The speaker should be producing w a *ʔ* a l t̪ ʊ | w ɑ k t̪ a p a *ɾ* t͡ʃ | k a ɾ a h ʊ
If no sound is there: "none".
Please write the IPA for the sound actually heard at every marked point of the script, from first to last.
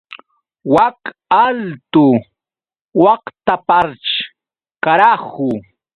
k, ɾ

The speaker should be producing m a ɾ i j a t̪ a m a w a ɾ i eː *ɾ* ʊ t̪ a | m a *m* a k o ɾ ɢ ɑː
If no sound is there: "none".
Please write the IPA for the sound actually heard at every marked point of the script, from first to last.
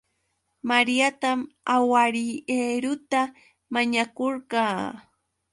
ɾ, ɲ

